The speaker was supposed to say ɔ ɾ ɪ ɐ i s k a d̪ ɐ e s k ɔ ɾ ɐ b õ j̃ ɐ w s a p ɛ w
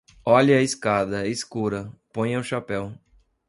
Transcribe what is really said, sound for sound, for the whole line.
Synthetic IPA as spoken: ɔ ʎ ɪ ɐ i s k a d̪ ɐ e s k u ɾ ɐ p õ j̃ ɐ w ʃ a p ɛ w

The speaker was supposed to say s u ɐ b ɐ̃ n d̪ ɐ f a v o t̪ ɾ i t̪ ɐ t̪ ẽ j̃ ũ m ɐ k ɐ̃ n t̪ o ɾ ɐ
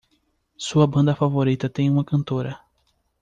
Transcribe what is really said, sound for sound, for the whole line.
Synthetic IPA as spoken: s u ɐ b ɐ̃ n d̪ ɐ f a v o ɾ i t̪ ɐ t̪ ẽ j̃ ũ m ɐ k ɐ̃ n t̪ o ɾ ɐ

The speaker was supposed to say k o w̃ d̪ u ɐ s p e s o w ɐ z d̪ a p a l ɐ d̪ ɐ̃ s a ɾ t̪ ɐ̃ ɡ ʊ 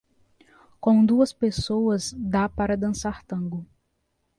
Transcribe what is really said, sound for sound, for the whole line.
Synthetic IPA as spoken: k õ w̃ d̪ u ɐ s p e s o w ɐ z d̪ a p a ɾ ɐ d̪ ɐ̃ s a ɾ t̪ ɐ̃ ɡ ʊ

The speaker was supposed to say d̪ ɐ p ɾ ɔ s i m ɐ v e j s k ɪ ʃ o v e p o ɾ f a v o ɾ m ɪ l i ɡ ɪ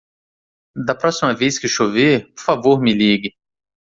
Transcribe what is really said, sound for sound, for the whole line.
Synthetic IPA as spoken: d̪ ɐ p ɾ ɔ s i m ɐ v e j s k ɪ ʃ o v e p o ɾ f a v o ɾ m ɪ l i ɡ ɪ

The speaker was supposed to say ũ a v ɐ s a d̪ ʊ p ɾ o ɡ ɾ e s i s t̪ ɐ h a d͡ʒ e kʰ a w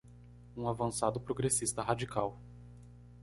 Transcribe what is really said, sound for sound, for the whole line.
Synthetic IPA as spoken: ũ a v ɐ̃ s a d̪ ʊ p ɾ o ɡ ɾ e s i s t̪ ɐ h a d͡ʒ i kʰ a w

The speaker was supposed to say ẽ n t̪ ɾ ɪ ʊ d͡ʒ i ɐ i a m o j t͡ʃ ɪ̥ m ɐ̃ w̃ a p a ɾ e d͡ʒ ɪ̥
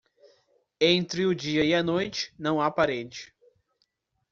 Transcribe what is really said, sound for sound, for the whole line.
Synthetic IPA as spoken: ẽ n t̪ ɾ ɪ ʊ d͡ʒ i ɐ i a n o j t͡ʃ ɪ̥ n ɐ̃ w̃ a p a ɾ e d͡ʒ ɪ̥

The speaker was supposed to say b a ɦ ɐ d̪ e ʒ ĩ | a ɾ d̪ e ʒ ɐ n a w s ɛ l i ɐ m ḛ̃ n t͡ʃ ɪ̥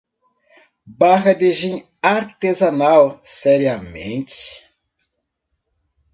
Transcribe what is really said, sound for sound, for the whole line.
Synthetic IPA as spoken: b a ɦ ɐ d̪ e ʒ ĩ | a ɾ t̪ e z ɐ n a w s ɛ ɾ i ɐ m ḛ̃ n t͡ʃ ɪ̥

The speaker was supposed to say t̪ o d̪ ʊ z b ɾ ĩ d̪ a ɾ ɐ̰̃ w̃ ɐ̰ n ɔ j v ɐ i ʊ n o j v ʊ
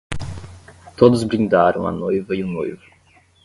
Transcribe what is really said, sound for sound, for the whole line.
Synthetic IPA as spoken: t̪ o d̪ ʊ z b ɾ ĩ d̪ a ɾ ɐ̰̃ w̃ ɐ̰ n o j v ɐ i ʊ n o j v ʊ

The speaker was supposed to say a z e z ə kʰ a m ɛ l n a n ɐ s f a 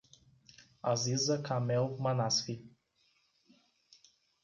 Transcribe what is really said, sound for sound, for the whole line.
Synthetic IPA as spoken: a z i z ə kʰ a m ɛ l m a n a s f i

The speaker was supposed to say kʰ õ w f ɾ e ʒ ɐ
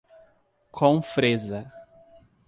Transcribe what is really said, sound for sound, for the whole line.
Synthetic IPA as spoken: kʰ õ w f ɾ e z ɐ

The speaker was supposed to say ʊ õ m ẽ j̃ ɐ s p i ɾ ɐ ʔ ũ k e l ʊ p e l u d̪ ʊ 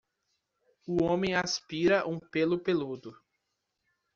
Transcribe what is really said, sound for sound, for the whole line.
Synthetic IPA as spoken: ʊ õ m ẽ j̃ a s p i ɾ ɐ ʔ ũ p e l ʊ p e l u d̪ ʊ

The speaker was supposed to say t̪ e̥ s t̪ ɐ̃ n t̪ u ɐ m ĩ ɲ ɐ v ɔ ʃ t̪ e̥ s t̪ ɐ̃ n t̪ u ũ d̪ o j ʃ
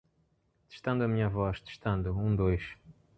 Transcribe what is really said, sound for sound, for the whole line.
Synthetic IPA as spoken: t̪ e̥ ʃ t̪ ɐ̃ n d̪ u ɐ m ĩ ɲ ɐ v ɔ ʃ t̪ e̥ ʃ t̪ ɐ̃ n d̪ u ũ d̪ o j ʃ

